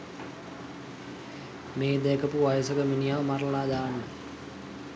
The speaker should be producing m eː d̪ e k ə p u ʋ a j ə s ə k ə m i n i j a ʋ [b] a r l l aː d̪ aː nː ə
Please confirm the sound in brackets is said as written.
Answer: no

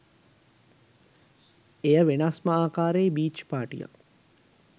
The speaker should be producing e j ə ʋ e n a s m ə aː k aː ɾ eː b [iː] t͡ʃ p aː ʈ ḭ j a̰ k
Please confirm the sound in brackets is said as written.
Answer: yes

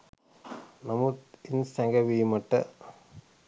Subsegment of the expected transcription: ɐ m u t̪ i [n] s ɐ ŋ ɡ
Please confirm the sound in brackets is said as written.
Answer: yes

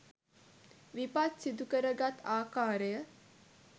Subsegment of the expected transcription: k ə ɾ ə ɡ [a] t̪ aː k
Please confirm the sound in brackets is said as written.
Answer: yes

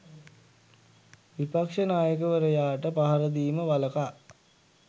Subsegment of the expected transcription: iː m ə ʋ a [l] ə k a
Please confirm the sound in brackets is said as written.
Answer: yes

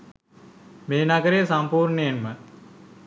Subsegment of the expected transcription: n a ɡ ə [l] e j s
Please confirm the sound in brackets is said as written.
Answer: no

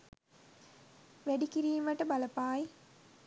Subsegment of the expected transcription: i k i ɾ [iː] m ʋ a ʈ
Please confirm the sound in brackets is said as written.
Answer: yes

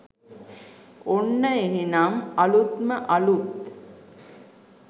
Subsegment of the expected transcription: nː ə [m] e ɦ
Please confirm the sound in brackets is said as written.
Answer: no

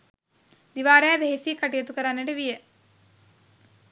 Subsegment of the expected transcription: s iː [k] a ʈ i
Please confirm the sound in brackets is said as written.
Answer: yes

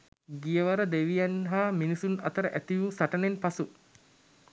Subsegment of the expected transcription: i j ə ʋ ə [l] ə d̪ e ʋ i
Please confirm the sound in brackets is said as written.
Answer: no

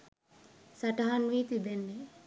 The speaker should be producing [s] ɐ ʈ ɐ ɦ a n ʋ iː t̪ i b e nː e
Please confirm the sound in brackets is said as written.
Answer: yes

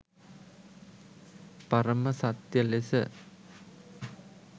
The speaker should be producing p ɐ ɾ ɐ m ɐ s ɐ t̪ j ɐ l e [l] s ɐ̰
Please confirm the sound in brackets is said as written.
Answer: no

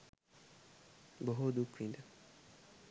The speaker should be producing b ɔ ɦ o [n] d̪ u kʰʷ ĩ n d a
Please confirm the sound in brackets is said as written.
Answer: no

